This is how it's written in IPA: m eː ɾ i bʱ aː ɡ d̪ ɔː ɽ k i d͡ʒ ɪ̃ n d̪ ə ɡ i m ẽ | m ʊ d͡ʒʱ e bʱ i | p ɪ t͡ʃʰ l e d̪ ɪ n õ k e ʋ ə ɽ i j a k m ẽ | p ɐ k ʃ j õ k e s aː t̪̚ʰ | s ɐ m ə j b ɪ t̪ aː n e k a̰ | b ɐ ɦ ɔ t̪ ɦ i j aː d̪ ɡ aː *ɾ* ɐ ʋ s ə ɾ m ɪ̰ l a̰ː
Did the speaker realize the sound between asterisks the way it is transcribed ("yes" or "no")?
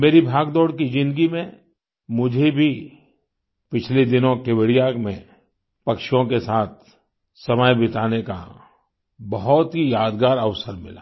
yes